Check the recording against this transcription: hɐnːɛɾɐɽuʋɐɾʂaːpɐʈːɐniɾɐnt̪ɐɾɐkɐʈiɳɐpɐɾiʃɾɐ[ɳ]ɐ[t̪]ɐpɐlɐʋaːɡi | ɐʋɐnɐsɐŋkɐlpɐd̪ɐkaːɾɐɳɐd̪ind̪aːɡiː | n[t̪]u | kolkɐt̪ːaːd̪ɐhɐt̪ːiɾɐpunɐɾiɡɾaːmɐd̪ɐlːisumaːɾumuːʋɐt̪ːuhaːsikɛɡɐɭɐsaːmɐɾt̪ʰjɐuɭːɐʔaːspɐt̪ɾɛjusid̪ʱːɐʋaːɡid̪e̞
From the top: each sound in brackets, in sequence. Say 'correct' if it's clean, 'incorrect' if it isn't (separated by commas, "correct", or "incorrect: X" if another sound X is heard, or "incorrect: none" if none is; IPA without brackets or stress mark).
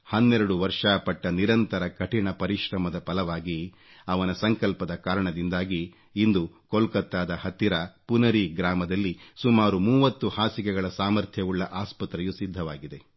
incorrect: m, incorrect: d̪, incorrect: d̪